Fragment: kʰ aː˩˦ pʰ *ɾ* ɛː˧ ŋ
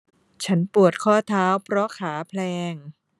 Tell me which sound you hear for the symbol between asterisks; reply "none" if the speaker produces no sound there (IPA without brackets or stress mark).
l